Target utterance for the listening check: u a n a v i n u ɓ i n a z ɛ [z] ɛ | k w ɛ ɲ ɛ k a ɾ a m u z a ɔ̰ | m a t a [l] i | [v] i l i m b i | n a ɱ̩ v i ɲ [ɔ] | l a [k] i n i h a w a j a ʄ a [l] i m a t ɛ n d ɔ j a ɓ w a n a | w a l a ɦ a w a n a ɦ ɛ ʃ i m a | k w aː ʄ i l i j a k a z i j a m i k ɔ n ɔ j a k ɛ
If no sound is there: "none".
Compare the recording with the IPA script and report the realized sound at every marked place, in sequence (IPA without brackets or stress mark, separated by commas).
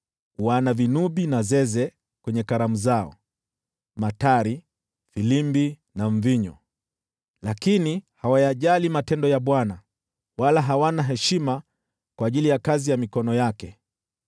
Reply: z, ɾ, f, ɔ, k, l